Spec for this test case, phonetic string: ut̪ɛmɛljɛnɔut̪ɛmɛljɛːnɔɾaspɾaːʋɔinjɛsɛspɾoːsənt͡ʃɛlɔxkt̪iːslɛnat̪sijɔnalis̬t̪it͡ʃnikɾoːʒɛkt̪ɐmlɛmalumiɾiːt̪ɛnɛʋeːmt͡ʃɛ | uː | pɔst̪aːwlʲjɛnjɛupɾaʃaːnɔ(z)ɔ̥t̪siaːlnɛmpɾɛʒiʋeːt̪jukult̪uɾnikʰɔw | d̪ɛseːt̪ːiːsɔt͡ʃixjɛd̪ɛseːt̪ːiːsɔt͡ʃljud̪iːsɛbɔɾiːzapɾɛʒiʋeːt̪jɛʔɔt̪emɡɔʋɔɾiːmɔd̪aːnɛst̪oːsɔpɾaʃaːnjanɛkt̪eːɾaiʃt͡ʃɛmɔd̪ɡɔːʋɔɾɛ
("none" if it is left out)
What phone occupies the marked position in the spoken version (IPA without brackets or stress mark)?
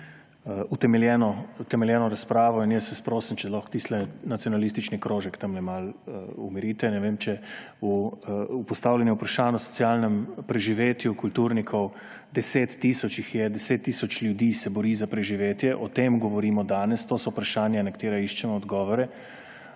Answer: s